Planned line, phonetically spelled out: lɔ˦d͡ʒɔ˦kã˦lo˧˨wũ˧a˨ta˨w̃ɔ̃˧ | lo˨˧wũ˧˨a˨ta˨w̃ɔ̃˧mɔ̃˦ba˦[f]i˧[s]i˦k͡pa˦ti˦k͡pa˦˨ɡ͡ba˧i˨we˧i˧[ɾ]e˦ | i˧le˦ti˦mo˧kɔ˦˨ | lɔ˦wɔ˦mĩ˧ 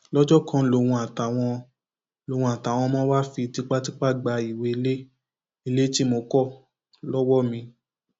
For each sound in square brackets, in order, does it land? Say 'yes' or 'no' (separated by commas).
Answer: yes, no, no